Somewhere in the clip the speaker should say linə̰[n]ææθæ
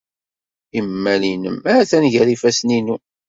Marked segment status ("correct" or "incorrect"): incorrect